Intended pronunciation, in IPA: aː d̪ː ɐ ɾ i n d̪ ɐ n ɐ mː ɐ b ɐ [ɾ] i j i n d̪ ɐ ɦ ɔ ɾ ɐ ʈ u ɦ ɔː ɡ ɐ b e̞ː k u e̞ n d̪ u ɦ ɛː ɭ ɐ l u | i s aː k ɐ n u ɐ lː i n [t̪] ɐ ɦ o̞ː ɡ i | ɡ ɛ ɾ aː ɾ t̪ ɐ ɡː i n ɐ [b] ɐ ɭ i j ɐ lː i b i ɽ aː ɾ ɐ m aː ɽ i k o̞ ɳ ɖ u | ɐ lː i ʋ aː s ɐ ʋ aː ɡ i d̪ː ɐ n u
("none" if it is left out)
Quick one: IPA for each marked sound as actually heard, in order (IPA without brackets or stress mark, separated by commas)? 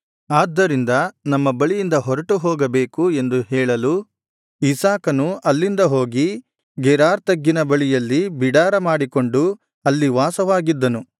ɭ, d̪, b